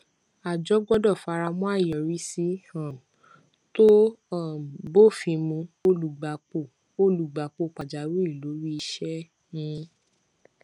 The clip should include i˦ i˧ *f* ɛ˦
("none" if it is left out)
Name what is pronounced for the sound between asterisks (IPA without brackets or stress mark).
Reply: ʃ